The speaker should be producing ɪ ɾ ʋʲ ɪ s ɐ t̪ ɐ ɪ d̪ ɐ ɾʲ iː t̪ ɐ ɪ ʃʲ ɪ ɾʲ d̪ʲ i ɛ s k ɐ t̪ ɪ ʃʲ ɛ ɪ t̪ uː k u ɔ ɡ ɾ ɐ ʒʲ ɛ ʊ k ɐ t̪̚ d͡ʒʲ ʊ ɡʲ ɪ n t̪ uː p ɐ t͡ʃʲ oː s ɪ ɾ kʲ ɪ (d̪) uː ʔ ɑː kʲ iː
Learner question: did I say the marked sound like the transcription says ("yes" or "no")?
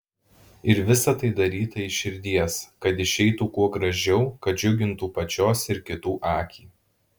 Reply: no